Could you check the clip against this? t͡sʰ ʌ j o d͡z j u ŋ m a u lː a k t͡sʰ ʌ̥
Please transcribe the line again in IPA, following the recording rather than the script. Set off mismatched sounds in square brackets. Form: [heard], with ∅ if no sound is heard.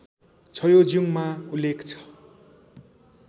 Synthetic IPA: t͡sʰ ʌ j o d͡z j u ŋ m a u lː [e] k t͡sʰ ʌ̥